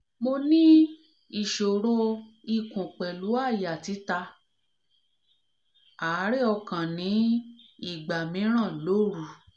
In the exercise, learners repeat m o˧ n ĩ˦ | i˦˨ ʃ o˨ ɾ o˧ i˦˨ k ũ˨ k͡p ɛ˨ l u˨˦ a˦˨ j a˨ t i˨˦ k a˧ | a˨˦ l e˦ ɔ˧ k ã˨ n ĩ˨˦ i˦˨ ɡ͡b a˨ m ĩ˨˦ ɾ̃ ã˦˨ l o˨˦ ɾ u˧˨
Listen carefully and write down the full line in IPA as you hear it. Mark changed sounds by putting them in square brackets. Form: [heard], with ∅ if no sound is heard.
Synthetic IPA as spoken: m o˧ n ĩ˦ | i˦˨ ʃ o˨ ɾ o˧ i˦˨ k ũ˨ k͡p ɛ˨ l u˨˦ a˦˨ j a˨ t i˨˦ [t] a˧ | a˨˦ [ɾ] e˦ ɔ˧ k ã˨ n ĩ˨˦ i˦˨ ɡ͡b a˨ m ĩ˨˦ ɾ̃ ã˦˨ l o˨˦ ɾ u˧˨